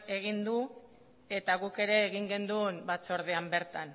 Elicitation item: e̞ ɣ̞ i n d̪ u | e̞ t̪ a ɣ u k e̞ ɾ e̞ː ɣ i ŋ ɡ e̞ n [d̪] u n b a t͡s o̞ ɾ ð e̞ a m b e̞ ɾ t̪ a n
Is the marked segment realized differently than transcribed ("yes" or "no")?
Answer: no